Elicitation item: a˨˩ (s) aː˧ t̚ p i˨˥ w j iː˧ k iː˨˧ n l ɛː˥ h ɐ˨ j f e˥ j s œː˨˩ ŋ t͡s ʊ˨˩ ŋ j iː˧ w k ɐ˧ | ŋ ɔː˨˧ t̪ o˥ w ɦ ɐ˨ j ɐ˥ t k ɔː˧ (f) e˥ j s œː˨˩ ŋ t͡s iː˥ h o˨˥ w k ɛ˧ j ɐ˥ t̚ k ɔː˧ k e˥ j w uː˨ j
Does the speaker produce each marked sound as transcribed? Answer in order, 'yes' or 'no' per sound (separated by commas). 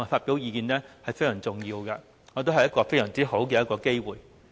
no, yes